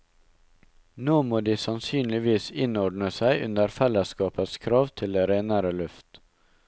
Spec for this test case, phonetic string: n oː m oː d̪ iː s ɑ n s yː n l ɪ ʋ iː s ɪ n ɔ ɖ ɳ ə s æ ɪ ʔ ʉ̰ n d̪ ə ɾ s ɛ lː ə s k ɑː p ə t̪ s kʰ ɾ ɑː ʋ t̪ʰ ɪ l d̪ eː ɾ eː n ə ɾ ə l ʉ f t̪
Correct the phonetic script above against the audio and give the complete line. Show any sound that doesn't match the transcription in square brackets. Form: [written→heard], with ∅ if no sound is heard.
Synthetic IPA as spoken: n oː m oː d̪ iː s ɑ n s yː n l ɪ ʋ iː s ɪ n ɔ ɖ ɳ ə s æ ɪ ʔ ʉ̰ n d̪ ə ɾ [s→f] ɛ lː ə s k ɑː p ə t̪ s kʰ ɾ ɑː ʋ t̪ʰ ɪ l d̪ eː ɾ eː n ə ɾ ə l ʉ f t̪